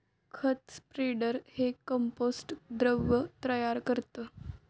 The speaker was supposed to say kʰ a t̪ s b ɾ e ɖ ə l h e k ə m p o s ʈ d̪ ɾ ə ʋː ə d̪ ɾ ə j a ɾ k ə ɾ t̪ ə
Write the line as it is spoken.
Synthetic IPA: kʰ ə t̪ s p ɾ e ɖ ə ɾ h e k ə m p o s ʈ d̪ ɾ ə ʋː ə t̪ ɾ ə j a ɾ k ə ɾ t̪ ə